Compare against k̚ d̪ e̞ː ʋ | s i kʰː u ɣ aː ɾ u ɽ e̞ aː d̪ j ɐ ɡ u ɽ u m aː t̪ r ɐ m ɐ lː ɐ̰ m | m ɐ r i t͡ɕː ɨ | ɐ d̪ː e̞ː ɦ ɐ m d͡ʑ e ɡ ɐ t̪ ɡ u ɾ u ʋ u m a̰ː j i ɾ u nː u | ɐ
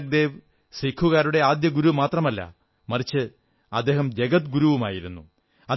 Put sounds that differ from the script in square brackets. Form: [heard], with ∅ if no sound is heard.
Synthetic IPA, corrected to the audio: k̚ d̪ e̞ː ʋ | s i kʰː u ɣ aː ɾ u ɽ e̞ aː d̪ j ɐ ɡ u [ɾ] u m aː t̪ r ɐ m ɐ lː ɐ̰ [∅] | m ɐ r i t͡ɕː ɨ | ɐ d̪ː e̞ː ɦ ɐ m d͡ʑ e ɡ ɐ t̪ ɡ u ɾ u ʋ u m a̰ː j i ɾ u nː u | ɐ